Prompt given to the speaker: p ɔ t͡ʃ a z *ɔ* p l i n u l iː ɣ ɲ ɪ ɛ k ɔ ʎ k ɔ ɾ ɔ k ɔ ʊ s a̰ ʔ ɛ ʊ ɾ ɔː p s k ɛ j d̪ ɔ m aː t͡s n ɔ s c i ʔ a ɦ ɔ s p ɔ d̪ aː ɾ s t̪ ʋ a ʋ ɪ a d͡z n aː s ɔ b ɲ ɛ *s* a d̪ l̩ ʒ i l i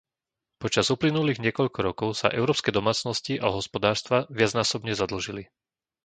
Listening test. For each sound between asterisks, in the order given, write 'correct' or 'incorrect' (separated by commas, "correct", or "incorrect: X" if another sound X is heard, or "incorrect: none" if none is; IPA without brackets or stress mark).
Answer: incorrect: u, incorrect: z